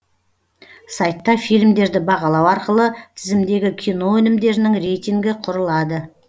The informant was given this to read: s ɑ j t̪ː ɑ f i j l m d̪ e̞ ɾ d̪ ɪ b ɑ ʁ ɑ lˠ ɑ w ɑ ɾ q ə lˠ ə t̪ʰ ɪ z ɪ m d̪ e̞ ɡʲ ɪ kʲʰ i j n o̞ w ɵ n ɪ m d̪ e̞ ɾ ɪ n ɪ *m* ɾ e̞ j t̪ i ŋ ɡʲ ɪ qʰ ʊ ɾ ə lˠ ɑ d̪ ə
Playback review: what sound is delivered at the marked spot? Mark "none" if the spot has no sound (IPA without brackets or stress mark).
ŋ